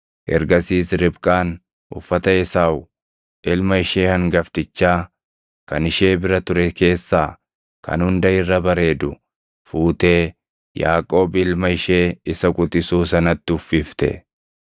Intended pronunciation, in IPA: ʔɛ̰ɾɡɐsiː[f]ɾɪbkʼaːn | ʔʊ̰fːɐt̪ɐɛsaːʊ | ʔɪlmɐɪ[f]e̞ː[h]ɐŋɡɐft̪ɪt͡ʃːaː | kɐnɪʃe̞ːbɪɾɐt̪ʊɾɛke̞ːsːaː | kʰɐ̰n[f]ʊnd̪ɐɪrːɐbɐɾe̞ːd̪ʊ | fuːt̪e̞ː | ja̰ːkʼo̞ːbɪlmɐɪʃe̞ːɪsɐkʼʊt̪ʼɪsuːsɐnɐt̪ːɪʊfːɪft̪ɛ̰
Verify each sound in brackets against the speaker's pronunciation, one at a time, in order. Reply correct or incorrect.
incorrect, incorrect, correct, incorrect

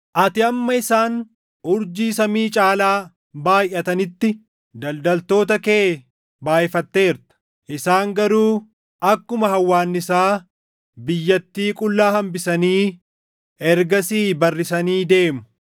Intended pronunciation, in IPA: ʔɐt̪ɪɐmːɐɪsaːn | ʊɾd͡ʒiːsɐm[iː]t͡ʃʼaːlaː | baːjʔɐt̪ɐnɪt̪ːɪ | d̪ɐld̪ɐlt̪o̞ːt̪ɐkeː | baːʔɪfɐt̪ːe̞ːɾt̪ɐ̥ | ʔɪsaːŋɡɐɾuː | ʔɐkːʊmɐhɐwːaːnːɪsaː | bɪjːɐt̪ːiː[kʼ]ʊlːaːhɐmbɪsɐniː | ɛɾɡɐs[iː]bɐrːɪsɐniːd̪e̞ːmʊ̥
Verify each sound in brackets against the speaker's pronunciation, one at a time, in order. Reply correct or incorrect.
correct, correct, correct

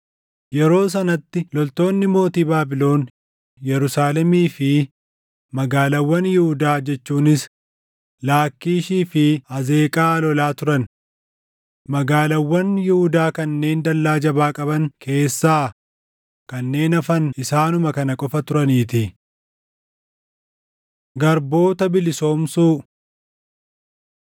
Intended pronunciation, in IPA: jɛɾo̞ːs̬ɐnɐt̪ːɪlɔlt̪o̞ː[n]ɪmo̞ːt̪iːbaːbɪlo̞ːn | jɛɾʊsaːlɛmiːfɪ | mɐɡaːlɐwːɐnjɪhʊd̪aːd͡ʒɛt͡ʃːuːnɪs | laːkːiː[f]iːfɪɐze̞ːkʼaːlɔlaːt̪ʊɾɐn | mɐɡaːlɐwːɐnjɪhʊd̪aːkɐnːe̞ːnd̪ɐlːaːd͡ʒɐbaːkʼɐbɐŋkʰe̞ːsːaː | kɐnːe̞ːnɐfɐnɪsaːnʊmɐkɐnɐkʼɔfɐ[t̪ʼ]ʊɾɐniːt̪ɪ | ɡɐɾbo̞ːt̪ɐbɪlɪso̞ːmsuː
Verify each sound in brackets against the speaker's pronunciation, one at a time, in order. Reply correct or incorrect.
incorrect, incorrect, incorrect

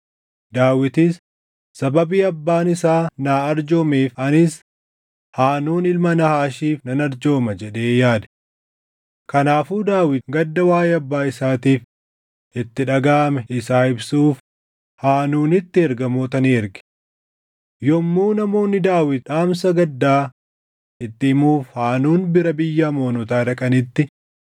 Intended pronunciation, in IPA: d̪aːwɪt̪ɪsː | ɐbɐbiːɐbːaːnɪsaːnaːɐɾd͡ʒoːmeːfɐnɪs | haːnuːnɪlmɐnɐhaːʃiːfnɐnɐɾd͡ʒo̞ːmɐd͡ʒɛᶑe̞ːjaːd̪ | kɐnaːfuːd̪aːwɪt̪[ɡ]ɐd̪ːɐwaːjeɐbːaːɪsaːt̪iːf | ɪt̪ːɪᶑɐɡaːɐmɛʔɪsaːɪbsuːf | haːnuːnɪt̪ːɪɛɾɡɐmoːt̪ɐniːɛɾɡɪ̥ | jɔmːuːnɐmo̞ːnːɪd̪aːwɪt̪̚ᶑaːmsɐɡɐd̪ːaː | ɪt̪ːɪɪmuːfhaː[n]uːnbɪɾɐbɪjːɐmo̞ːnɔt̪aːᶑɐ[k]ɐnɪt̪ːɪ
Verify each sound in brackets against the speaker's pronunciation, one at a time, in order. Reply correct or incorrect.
correct, correct, incorrect

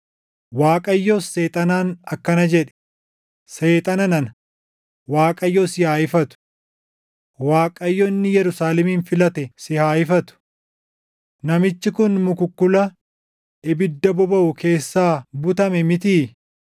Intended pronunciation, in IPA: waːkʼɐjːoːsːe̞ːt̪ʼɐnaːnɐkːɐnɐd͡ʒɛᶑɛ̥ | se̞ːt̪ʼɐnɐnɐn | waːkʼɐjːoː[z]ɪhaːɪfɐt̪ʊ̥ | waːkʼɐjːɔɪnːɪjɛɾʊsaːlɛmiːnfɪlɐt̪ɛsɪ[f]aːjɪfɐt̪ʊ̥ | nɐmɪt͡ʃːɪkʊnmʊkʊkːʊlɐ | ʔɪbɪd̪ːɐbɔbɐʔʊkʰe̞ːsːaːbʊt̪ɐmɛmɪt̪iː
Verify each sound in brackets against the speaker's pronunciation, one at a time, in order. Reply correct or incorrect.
incorrect, incorrect

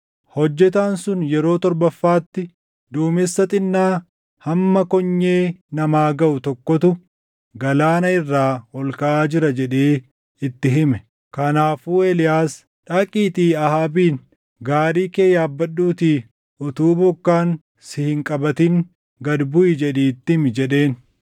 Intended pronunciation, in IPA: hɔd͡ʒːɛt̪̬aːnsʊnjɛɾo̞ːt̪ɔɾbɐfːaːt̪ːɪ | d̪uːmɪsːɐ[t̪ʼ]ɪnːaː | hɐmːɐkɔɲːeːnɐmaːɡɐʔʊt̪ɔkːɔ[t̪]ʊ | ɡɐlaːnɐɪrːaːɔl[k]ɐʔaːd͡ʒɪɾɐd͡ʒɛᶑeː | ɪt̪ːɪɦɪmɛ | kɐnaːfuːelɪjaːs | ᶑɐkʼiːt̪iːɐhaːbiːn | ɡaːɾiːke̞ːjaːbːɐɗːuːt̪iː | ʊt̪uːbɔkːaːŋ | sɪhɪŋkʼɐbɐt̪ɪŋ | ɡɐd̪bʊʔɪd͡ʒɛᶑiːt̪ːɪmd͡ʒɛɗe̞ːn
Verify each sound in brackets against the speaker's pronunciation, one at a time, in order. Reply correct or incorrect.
correct, correct, correct

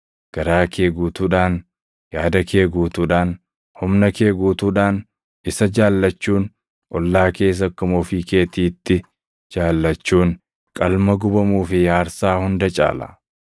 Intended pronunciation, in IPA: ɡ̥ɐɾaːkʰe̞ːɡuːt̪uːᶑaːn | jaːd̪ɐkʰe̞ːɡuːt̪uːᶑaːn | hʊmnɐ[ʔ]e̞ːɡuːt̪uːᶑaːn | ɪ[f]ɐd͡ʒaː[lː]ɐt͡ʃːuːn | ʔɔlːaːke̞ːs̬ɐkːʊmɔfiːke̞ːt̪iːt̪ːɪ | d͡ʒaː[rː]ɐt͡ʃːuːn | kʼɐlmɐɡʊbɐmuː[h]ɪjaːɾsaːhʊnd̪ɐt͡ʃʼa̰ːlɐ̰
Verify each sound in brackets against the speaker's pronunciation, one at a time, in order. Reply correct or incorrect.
incorrect, incorrect, correct, incorrect, incorrect

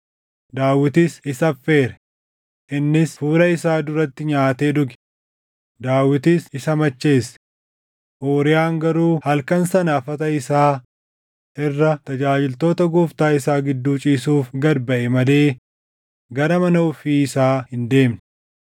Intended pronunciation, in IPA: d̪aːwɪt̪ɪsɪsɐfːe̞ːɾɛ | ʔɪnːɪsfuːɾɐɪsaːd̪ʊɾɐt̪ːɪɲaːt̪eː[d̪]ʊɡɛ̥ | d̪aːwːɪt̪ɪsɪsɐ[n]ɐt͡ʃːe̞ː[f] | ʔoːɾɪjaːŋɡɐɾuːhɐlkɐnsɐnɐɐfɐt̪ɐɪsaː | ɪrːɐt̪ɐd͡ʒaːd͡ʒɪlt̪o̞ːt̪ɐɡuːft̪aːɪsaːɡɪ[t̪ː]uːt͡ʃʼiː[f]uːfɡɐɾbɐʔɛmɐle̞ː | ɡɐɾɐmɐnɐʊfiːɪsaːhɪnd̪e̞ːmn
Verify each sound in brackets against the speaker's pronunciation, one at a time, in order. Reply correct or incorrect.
correct, incorrect, incorrect, incorrect, incorrect

